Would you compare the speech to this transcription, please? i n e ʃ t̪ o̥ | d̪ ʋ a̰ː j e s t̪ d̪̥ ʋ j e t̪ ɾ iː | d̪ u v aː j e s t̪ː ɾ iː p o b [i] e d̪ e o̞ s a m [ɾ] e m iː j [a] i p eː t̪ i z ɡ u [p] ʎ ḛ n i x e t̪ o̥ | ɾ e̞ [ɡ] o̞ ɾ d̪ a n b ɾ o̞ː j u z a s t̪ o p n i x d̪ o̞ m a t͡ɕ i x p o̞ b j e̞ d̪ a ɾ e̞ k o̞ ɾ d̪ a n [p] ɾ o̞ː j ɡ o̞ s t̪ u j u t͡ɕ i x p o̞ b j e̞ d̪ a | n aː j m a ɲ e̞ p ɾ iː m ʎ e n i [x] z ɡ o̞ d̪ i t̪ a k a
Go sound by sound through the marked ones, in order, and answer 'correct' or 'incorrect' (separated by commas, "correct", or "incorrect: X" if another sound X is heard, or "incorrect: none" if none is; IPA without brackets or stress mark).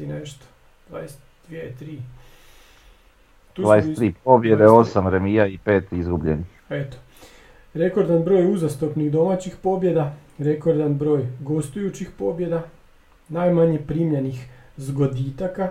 incorrect: j, correct, correct, incorrect: b, incorrect: k, incorrect: b, correct